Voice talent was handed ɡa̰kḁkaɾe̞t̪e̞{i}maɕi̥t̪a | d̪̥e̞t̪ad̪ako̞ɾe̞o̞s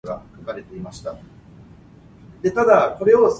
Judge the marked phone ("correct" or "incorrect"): correct